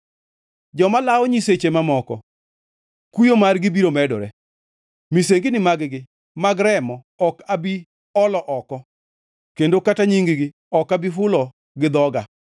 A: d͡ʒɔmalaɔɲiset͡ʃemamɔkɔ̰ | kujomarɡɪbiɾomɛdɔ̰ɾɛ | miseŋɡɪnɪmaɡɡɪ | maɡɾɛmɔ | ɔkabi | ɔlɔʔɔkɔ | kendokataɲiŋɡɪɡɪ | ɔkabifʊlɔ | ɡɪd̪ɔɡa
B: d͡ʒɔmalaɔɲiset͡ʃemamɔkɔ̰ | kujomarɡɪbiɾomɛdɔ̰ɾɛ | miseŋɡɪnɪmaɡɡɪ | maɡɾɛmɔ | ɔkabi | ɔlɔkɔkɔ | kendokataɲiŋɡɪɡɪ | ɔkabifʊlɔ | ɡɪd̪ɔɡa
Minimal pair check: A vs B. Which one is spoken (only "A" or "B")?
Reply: A